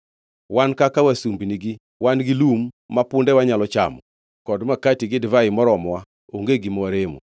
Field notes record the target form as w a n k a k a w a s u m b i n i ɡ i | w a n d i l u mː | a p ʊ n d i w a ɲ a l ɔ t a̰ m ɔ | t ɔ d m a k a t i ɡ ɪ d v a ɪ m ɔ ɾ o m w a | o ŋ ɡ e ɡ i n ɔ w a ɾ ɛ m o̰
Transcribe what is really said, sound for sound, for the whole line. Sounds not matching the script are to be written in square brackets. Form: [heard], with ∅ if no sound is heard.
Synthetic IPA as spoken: w a n k a k a w a s u m b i n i ɡ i | w a n [ɡ] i l u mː | a p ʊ n d [ɛ] w a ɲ a l ɔ [t͡ʃ] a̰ m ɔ | [k] ɔ d m a k a t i ɡ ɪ d v a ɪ m ɔ ɾ [ɔ] m w a | o ŋ ɡ e ɡ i [m] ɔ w a ɾ [e] m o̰